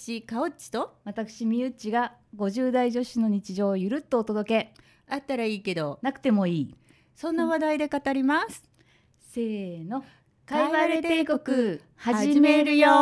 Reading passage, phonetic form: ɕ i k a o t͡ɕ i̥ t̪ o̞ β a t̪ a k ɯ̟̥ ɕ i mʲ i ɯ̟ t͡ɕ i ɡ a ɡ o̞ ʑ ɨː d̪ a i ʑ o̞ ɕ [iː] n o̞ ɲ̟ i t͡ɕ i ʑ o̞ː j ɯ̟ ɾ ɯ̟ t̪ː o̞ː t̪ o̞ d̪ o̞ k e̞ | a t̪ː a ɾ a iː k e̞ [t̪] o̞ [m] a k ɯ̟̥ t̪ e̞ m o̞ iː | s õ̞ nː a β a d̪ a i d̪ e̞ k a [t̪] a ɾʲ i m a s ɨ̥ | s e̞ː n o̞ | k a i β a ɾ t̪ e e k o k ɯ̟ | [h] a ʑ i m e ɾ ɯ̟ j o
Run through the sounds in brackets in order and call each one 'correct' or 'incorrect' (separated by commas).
incorrect, incorrect, incorrect, correct, correct